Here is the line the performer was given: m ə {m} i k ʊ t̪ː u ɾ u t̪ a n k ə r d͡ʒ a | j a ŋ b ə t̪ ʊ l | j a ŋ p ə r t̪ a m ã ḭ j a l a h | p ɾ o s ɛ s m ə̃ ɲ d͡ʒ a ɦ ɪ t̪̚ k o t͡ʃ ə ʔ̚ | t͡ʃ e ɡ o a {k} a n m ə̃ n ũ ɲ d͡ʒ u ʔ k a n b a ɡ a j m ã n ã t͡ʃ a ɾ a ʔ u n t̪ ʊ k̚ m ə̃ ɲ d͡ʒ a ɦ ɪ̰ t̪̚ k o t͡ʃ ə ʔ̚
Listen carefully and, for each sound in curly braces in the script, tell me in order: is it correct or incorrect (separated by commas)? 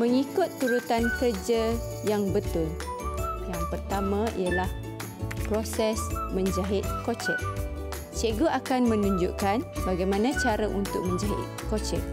incorrect, correct